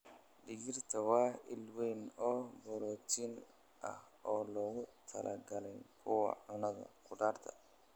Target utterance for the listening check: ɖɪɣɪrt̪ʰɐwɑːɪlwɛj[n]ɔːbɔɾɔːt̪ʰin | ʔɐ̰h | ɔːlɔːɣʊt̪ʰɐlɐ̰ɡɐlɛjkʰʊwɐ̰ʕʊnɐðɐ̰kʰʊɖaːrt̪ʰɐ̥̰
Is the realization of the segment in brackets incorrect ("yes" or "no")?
no